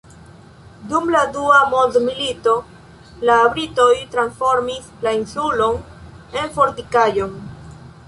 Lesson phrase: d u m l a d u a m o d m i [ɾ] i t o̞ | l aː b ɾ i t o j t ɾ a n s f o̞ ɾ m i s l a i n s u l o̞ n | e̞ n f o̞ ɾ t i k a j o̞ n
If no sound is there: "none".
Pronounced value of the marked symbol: l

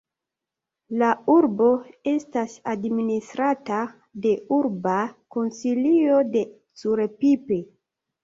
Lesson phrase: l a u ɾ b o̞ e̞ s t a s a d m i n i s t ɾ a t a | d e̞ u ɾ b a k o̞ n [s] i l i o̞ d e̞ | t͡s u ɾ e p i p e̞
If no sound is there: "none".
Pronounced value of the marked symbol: s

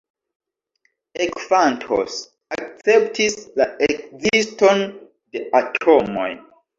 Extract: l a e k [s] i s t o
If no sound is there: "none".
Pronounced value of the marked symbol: z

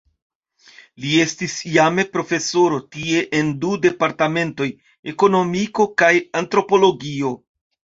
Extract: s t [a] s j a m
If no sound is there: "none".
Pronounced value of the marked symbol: i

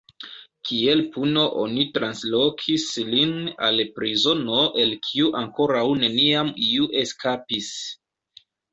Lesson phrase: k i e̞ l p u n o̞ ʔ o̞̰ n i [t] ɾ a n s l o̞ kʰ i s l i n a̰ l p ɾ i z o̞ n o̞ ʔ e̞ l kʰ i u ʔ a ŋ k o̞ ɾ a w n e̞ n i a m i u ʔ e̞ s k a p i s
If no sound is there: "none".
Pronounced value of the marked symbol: t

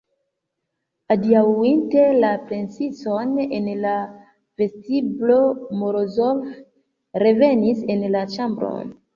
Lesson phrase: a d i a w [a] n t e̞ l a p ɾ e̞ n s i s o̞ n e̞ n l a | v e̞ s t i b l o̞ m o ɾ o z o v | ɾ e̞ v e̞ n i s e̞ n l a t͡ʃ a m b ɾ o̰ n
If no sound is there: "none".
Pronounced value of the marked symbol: i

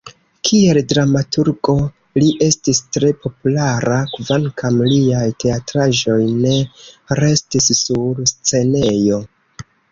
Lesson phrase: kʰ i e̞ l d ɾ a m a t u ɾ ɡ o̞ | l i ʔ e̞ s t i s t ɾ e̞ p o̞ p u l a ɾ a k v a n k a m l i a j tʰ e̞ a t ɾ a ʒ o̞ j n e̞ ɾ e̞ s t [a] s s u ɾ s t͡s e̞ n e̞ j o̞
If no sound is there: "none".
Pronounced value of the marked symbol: i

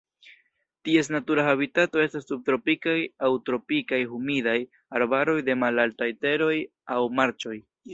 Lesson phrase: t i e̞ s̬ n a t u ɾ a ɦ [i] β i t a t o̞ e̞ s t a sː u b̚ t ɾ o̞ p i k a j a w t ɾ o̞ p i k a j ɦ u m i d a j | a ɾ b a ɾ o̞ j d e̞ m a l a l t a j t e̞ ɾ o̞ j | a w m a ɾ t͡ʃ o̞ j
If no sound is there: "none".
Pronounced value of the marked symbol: a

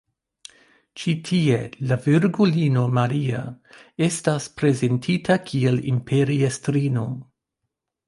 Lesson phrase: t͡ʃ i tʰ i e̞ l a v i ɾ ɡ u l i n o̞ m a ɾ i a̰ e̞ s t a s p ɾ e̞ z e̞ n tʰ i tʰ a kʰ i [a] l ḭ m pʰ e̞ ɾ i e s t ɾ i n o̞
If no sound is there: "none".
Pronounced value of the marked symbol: e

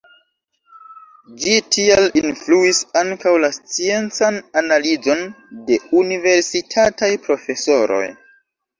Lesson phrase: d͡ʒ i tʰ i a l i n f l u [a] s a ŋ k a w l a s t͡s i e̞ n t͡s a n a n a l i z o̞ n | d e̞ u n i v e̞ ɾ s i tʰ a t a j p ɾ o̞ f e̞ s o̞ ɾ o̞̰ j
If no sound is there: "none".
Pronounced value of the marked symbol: i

